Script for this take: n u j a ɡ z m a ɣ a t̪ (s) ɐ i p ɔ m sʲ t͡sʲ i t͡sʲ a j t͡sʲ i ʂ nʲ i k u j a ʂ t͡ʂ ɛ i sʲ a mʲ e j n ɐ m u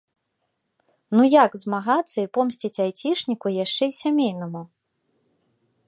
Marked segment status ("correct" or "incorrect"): incorrect